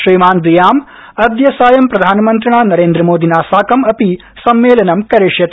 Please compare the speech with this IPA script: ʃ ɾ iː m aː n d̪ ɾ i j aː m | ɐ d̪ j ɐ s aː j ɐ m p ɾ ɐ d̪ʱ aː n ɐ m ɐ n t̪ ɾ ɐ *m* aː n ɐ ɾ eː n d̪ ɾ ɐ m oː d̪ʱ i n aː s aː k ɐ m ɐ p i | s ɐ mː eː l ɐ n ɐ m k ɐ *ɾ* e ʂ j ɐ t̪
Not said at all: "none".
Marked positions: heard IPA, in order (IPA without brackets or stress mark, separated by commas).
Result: ɳ, ɾ